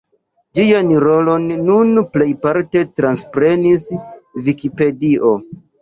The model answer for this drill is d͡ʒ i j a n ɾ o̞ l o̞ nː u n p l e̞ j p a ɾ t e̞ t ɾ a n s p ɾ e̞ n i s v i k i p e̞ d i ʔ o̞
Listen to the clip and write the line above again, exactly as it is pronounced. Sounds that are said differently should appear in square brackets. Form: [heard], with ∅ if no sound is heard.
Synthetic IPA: d͡ʒ i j a n ɾ o̞ l o̞ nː u n p l e̞ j p a ɾ t e̞ t ɾ a n s p ɾ e̞ n i s v i k i p e̞ d i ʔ o̞